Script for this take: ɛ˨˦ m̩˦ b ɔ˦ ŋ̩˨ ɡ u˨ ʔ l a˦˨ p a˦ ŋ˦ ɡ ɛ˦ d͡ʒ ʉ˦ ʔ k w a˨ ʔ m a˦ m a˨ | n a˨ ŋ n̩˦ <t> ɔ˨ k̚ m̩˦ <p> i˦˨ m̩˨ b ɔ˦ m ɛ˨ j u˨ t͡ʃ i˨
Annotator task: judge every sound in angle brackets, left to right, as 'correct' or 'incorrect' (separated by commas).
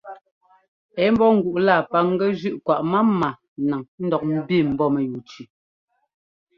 incorrect, incorrect